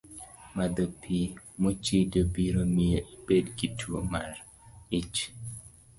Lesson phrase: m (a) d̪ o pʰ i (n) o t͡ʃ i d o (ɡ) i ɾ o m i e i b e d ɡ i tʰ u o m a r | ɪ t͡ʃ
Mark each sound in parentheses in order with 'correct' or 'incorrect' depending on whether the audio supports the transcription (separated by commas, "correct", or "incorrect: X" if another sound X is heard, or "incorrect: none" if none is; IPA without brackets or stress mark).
correct, incorrect: m, incorrect: b